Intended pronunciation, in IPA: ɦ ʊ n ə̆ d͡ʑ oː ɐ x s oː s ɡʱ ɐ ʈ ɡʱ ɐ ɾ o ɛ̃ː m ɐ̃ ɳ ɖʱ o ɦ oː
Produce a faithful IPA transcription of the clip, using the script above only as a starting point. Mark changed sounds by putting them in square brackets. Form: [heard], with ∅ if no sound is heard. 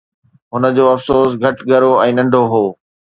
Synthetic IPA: ɦ ʊ n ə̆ d͡ʑ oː ɐ [f] s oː s ɡʱ ɐ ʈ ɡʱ ɐ ɾ o ɛ̃ː [n] ɐ̃ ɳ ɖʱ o ɦ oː